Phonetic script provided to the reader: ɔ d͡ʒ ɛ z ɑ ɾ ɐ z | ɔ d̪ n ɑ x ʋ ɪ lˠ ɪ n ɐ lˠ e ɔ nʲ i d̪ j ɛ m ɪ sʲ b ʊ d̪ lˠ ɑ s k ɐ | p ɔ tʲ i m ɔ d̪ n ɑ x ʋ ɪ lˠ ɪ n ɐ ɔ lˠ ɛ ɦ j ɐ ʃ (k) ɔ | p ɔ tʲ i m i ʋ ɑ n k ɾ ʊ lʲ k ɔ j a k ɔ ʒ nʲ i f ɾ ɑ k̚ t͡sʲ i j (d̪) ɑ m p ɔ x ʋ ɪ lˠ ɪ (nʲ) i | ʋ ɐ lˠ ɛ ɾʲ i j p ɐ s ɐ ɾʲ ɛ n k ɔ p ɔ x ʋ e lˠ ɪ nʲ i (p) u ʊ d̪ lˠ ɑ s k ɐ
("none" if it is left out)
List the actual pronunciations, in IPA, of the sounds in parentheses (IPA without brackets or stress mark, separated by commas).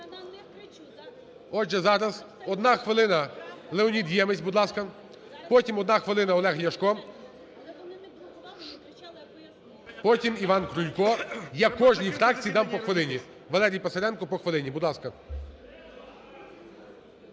k, d̪, nʲ, b